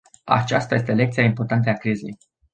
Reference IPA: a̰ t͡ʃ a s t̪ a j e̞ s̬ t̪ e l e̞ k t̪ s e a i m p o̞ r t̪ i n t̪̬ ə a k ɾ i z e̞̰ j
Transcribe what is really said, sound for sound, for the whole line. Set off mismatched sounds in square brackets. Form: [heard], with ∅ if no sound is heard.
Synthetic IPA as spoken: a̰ t͡ʃ a s t̪ a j e̞ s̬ t̪ e l e̞ k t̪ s [i] a i m p o̞ r t̪ [a] n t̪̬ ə a k ɾ i z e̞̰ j